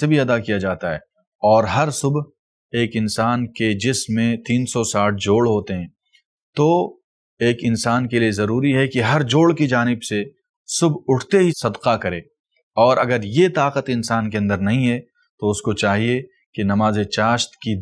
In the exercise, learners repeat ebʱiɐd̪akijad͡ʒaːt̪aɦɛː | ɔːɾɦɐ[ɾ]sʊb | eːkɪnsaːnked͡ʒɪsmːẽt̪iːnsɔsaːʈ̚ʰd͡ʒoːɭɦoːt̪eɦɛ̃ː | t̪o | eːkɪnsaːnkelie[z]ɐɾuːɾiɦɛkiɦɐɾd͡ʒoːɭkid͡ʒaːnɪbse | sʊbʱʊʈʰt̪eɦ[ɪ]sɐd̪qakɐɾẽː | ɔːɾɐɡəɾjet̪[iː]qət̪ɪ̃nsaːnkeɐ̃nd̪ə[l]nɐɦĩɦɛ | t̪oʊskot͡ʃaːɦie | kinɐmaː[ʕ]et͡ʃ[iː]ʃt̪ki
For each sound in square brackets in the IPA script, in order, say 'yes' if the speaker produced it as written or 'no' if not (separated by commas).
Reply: yes, yes, no, no, no, no, no